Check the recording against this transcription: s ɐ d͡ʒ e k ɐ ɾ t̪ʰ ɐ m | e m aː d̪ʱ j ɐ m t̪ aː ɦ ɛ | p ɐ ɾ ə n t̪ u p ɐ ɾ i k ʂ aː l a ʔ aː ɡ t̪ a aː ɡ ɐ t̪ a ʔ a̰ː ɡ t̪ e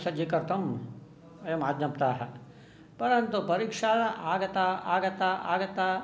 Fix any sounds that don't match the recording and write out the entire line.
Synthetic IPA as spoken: s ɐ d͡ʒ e k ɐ ɾ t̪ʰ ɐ m | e m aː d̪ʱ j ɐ m t̪ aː ɦ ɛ | p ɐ ɾ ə n t̪ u p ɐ ɾ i k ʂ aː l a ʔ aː ɡ t̪ a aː ɡ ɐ t̪ a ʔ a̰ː ɡ t̪ a